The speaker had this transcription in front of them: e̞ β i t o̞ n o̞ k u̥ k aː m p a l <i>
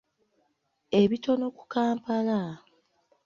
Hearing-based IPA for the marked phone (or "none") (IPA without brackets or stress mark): a